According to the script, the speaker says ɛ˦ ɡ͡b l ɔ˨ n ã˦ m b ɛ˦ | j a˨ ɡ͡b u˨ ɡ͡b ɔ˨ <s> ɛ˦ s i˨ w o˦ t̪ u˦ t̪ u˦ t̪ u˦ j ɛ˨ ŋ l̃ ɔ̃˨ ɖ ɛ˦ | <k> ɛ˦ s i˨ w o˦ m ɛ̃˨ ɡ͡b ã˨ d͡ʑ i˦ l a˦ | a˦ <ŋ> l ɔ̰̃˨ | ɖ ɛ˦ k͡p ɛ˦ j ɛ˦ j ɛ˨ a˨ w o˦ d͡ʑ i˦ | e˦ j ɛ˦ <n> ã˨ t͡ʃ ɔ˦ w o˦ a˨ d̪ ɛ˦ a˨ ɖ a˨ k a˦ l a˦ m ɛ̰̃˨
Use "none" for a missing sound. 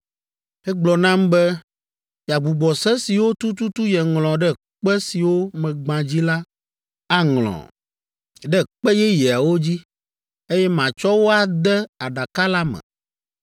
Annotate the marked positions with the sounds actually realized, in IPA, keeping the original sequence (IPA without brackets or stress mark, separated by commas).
s, k͡p, ŋ, m